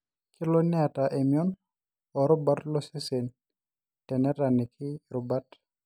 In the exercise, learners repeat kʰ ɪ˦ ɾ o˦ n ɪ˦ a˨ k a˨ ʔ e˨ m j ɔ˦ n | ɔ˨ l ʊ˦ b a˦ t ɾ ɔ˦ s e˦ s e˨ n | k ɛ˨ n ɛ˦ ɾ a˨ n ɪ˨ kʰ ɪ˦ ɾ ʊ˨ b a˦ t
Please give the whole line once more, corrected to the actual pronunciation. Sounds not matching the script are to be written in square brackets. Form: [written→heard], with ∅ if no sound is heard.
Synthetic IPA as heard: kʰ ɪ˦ [ɾ→l] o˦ n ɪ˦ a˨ [k→t] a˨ ʔ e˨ m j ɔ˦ n | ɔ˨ [l→ɾ] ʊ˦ b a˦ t [ɾ→l] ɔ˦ s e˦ s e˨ n | [k→t] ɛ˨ n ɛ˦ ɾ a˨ n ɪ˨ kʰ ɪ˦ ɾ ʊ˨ b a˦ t